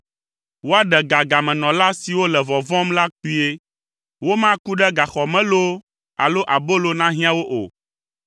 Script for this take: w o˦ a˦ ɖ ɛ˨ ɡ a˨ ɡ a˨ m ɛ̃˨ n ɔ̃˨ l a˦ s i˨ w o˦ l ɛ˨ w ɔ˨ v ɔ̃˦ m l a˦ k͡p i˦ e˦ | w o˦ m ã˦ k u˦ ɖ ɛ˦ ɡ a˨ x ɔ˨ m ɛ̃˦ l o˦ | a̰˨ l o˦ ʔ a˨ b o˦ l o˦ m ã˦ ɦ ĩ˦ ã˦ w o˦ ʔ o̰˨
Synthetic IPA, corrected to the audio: w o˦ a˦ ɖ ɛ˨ ɡ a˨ ɡ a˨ m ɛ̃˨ n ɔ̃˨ l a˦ s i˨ w o˦ l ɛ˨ v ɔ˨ v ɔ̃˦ m l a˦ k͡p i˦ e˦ | w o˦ m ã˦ k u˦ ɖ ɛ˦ ɡ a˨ x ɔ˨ m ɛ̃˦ l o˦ | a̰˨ l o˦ ʔ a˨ b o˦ l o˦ n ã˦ ɦ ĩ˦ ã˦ w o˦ ʔ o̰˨